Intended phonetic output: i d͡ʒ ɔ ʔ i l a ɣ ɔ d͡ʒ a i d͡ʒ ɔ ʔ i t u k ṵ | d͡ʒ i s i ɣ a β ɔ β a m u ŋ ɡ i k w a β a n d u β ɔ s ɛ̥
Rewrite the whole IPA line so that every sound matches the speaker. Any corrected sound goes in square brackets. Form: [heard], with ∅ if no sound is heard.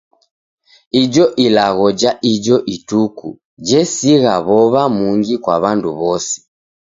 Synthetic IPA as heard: i d͡ʒ ɔ ʔ i l a ɣ ɔ d͡ʒ a i d͡ʒ ɔ ʔ i t u k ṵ | d͡ʒ [ɛ] s i ɣ a β ɔ β a m u ŋ ɡ i k w a β a n d u β ɔ s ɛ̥